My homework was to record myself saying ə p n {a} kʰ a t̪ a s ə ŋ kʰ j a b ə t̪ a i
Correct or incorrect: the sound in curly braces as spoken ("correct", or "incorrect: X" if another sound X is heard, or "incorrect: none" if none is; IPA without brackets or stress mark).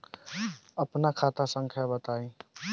correct